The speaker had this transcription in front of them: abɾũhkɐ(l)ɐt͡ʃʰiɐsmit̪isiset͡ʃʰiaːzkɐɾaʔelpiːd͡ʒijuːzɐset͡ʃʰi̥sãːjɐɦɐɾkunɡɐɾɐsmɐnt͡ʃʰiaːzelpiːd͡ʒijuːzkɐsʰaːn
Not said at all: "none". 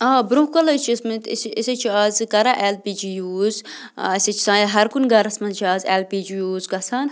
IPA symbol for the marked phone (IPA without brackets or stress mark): l